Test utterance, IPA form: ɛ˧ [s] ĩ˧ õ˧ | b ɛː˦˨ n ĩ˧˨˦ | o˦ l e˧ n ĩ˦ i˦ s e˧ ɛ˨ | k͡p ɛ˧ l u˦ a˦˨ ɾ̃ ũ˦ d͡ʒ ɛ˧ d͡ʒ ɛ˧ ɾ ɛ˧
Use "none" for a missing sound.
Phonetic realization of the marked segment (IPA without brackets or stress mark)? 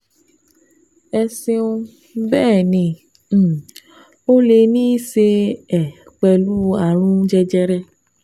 s